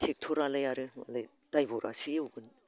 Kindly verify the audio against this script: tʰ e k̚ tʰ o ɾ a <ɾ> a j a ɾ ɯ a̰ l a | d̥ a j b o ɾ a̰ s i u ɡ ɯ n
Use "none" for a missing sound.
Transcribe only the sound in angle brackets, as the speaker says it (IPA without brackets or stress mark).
l